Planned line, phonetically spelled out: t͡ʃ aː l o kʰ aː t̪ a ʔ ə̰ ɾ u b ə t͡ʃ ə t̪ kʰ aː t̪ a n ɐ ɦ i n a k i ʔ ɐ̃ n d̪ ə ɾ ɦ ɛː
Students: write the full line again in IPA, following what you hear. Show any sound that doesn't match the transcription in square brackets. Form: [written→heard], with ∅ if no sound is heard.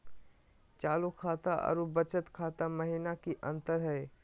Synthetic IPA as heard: t͡ʃ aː l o kʰ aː t̪ a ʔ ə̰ ɾ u b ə t͡ʃ ə t̪ kʰ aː t̪ a [n→m] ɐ ɦ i n a k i ʔ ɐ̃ n [d̪→t̪] ə ɾ ɦ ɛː